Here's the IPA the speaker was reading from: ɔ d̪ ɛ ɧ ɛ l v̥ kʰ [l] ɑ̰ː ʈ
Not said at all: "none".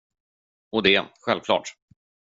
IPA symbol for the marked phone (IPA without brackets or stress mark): l